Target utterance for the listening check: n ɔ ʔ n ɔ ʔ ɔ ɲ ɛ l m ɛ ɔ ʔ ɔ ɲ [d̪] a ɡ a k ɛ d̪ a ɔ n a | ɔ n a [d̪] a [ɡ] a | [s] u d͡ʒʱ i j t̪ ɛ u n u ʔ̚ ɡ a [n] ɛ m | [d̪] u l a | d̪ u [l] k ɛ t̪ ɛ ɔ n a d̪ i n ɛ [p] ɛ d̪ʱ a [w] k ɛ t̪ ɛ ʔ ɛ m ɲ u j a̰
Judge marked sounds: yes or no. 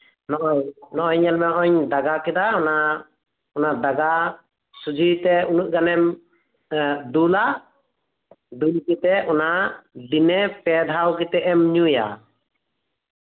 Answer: yes, yes, yes, yes, yes, yes, yes, yes, yes

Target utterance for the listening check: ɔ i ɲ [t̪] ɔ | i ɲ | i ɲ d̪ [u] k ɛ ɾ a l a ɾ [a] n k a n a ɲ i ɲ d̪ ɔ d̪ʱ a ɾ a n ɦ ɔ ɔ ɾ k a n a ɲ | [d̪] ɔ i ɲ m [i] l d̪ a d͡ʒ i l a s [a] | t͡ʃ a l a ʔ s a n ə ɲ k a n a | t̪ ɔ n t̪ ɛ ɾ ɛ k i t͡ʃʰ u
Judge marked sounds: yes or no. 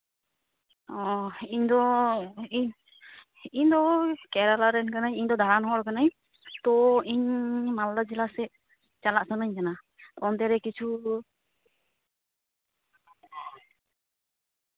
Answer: no, no, no, no, no, no

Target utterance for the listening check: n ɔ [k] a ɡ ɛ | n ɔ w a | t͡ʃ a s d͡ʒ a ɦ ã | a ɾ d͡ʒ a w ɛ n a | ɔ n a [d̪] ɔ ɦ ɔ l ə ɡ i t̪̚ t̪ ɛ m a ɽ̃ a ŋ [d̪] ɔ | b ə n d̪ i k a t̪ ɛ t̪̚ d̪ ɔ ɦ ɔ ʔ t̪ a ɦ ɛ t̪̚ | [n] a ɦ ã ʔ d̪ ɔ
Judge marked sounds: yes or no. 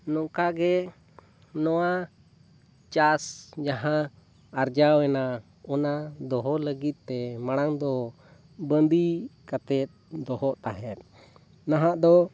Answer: yes, yes, yes, yes

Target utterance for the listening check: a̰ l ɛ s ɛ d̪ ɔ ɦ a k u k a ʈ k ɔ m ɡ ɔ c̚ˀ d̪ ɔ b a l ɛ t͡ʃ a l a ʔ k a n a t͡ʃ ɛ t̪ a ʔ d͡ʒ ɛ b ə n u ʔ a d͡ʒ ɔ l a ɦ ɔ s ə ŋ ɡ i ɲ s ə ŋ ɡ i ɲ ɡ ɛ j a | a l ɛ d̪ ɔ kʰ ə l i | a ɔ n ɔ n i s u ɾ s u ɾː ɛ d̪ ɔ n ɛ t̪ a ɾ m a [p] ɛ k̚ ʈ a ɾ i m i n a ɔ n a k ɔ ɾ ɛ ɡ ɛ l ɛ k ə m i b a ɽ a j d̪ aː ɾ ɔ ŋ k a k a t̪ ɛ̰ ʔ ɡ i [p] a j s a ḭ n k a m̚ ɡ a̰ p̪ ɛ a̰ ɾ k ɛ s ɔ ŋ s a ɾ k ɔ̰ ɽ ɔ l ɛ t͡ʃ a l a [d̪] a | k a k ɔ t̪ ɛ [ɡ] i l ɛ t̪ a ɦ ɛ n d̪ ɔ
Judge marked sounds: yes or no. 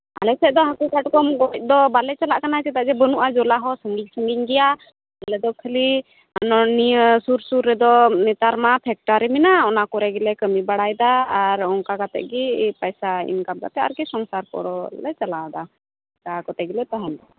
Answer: no, yes, yes, yes

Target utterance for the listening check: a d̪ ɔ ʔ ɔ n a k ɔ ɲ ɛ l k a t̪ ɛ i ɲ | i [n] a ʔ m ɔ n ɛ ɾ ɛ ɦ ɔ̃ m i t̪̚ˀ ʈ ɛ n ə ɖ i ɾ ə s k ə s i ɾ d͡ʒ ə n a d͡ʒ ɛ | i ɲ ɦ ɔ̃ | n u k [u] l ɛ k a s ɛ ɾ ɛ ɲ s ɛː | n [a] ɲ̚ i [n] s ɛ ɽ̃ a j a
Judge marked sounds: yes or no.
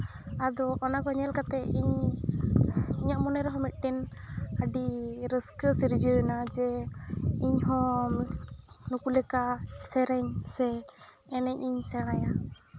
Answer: no, yes, no, no

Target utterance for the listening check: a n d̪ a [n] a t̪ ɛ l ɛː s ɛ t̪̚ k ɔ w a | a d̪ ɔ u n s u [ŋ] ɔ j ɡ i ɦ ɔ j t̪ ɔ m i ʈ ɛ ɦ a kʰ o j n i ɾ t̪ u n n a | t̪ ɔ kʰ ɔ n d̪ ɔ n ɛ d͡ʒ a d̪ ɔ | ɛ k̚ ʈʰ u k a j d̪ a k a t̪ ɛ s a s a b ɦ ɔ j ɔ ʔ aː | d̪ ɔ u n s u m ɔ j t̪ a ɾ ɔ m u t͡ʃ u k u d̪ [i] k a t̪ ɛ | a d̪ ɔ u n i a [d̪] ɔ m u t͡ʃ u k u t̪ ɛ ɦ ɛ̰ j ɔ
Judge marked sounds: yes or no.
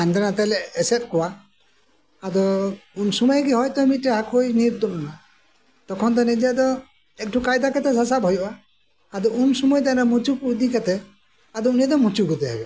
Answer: yes, no, yes, yes

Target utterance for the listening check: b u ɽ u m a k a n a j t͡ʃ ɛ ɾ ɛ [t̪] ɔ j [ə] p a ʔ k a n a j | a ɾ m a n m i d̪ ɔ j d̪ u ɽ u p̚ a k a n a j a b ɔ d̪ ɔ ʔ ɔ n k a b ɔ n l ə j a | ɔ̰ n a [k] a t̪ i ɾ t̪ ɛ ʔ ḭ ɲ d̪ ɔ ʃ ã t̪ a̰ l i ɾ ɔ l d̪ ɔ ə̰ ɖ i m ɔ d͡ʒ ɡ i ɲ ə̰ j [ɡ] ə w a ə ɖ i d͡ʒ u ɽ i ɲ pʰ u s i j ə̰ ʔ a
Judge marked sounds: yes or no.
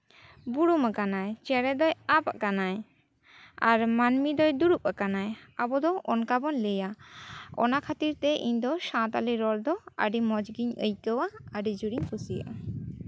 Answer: no, no, no, no

